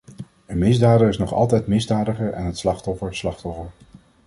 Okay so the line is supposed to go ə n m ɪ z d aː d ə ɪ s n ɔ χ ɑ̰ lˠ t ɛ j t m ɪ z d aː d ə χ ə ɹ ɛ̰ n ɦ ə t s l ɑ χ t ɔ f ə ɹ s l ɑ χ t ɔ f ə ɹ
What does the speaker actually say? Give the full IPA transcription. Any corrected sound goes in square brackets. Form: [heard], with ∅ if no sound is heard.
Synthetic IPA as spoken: ə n m ɪ z d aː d ə ɪ s n ɔ χ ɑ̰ lˠ t ɛ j t m ɪ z d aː d ə χ ə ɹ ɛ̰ n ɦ ə t s l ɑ χ t ɔ f ə ɹ s l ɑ χ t ɔ f ə ɹ